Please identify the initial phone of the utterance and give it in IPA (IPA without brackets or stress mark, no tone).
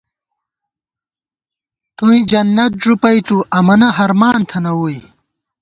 t̪